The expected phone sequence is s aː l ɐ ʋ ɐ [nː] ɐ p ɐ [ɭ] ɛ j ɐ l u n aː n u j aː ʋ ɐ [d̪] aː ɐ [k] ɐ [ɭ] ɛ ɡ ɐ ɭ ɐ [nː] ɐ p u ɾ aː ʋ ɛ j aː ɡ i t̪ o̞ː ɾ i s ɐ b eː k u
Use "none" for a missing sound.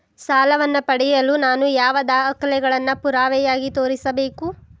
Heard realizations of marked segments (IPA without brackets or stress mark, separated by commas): nː, ɽ, d̪, k, l, nː